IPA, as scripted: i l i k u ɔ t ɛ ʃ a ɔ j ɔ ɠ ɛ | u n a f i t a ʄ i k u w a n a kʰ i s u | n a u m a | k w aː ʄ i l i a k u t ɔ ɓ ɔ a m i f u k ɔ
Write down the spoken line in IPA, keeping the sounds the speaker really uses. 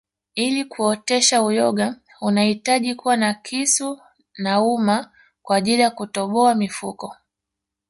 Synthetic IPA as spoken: i l i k u ɔ t ɛ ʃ a u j ɔ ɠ a | u n a h i t a ʄ i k u w a n a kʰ i s u | n a u m a | k w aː ʄ i l i a k u t ɔ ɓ ɔ a m i f u k ɔ

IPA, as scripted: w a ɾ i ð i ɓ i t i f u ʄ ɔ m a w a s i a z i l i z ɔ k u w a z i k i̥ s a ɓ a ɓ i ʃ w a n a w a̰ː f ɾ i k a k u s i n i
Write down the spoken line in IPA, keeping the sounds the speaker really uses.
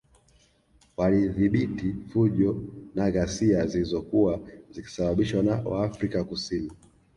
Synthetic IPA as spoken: w a l i ð i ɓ i t i f u ʄ ɔ n a ɣ a s i a z i l i z ɔ k u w a z i k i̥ s a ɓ a ɓ i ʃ w a n a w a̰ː f ɾ i k a k u s i n i

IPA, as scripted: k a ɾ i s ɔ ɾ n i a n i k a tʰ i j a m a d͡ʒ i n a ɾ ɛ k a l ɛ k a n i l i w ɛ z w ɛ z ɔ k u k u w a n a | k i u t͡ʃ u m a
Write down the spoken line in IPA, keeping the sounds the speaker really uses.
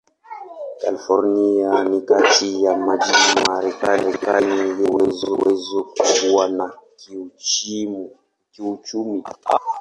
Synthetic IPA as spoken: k a l i f ɔ ɾ n i a n i k a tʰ i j a m a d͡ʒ i m a ɾ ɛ k a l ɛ k a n i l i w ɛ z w ɛ z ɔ k u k u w a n a | k i u t͡ʃ u m i

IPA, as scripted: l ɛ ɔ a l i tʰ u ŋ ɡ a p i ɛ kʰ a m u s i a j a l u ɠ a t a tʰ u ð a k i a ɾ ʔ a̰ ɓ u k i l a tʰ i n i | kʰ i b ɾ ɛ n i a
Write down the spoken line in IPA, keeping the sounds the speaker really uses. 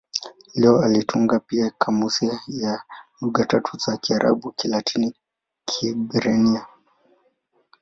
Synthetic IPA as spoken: l ɛ ɔ a l i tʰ u ŋ ɡ a p i a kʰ a m u s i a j a l u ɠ a t a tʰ u z a k i a ɾ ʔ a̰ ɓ u k i l a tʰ i n i | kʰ i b ɾ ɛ n i a

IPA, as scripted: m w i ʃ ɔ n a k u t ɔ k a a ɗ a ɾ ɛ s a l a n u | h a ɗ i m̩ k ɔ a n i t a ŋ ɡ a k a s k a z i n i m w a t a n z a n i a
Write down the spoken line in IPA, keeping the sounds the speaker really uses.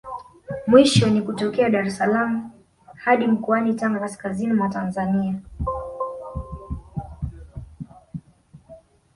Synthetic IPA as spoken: m w i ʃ ɔ n i k u t ɔ k ɛ a ɗ a ɾ ɛ s a l a m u | h a ɗ i m̩ k ɔ a n i t a ŋ ɡ a k a s k a z i n i m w a t a n z a n i a

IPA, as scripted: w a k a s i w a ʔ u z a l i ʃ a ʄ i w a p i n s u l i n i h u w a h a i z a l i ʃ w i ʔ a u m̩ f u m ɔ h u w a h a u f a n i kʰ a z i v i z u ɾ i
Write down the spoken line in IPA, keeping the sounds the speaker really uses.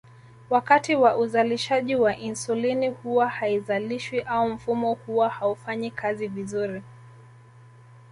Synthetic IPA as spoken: w a k a t i w a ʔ u z a l i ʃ a ʄ i w a ʔ i n s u l i n i h u w a h a i z a l i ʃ w i ʔ a u m̩ f u m ɔ h u w a h a u f a ɲ i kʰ a z i v i z u ɾ i

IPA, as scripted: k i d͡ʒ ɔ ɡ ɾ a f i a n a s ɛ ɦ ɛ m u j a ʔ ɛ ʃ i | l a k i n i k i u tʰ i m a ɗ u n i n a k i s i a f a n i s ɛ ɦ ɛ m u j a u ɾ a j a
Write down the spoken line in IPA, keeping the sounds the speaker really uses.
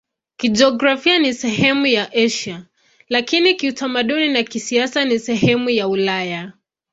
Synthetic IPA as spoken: k i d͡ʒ ɔ ɡ ɾ a f i a n i s ɛ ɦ ɛ m u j a ʔ ɛ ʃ a | l a k i n i k i u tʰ a m a ɗ u n i n a k i s i a s a n i s ɛ ɦ ɛ m u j a u l a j a

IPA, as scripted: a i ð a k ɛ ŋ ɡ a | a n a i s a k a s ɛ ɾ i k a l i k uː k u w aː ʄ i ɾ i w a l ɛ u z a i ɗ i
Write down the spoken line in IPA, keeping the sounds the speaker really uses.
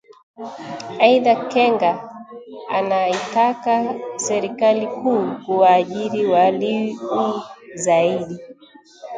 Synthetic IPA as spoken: a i ð a k ɛ ŋ ɡ a | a n a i t a k a s ɛ ɾ i k a l i k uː k u w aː ʄ i ɾ i w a l i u z a i ɗ i

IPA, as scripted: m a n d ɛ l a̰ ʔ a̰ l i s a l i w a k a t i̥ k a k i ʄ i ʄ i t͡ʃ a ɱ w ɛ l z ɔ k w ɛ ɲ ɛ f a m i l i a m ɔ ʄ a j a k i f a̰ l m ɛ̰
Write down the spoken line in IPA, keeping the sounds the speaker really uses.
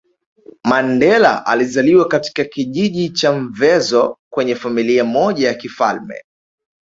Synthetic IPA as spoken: m a n d ɛ l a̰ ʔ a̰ l i z a l i w a k a t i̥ k a k i ʄ i ʄ i t͡ʃ a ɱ v ɛ z ɔ k w ɛ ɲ ɛ f a m i l i a m ɔ ʄ a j a k i f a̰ l m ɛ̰

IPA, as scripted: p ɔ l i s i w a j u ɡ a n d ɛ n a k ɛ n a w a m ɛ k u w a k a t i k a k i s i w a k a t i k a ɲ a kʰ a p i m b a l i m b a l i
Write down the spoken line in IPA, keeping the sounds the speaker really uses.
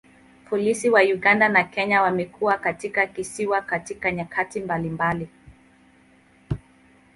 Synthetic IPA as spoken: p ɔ l i s i w a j u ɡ a n d a n a k ɛ ɲ a w a m ɛ k u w a k a t i k a k i s i w a k a t i k a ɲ a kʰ a t i m b a l i m b a l i

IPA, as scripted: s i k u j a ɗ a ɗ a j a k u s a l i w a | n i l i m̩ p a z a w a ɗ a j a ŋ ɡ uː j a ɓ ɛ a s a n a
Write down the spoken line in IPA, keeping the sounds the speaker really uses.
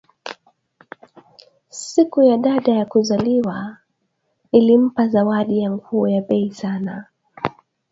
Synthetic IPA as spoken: s i k u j a ɗ a ɗ a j a k u z a l i w a | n i l i m̩ p a z a w a ɗ i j a ŋ ɡ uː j a ɓ ɛ i s a n a

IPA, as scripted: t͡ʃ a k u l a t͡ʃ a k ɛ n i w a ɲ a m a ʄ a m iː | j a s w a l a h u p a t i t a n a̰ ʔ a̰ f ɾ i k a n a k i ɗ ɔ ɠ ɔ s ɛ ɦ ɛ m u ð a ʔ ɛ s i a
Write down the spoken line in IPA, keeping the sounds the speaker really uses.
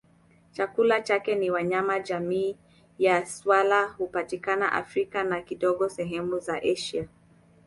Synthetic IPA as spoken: t͡ʃ a k u l a t͡ʃ a k ɛ n i w a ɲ a m a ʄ a m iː | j a s w a l a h u p a t i k a n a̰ ʔ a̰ f ɾ i k a n a k i ɗ ɔ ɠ ɔ s ɛ ɦ ɛ m u z a ʔ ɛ ʃ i a

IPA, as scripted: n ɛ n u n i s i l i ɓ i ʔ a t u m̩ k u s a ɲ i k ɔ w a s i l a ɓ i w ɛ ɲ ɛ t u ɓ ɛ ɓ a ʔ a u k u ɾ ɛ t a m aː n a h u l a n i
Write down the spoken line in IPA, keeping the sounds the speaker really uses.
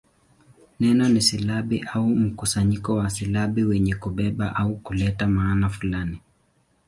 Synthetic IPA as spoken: n ɛ n ɔ n i s i l a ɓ i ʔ a u m̩ k u s a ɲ i k ɔ w a s i l a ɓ i w ɛ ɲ ɛ k u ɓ ɛ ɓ a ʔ a u k u l ɛ t a m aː n a f u l a n i

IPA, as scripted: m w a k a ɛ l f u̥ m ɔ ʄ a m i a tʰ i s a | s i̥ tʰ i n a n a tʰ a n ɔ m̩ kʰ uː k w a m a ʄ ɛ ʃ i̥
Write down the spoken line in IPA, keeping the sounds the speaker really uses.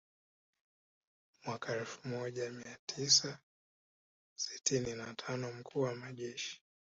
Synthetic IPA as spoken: m w a k a ɛ l f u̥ m ɔ ʄ a m i a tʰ i s a | s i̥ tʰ i n i n a tʰ a n ɔ m̩ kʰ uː w a m a ʄ ɛ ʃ i̥

